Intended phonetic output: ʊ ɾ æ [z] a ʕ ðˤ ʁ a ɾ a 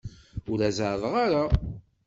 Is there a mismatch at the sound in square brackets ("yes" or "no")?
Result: no